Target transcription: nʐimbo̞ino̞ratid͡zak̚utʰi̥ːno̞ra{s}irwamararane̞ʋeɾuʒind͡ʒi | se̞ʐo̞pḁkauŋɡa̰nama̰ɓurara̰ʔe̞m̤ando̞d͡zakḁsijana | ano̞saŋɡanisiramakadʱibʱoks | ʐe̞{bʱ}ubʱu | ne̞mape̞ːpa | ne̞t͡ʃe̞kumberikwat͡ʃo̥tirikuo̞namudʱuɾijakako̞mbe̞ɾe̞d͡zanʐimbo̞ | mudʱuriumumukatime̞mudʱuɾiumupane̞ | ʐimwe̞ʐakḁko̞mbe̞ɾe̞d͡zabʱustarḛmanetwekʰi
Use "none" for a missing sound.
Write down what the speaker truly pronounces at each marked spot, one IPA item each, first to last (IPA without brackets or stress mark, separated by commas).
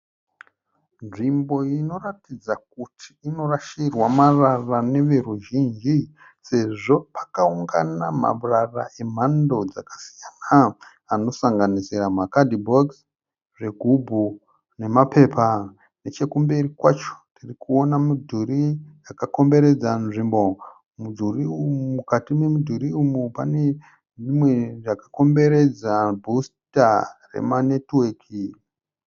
ʃ, ɡʱ